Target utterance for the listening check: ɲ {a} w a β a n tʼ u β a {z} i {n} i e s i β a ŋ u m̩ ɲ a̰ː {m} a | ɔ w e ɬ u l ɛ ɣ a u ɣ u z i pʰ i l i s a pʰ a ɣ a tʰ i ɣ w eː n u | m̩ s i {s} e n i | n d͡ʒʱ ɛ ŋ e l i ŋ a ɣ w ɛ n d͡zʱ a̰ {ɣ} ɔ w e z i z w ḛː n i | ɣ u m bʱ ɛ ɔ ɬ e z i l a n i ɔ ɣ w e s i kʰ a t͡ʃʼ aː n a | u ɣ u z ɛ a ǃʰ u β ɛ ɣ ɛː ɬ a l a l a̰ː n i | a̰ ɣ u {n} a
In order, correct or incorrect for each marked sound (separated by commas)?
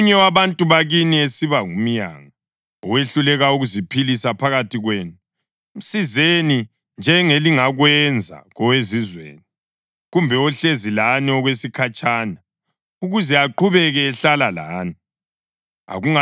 incorrect, incorrect, correct, incorrect, incorrect, correct, incorrect